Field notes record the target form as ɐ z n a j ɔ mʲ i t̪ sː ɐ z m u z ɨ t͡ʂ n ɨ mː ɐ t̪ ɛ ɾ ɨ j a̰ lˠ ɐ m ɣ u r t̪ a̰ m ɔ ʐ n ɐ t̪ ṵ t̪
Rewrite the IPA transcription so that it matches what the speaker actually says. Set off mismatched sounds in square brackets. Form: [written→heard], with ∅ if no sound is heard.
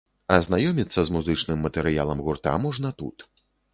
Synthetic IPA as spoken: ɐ z n a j ɔ mʲ i t̪ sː ɐ z m u z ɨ t͡ʂ n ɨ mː ɐ t̪ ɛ ɾ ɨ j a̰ lˠ ɐ m ɣ u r t̪ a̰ m ɔ ʐ n ɐ t̪ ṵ t̪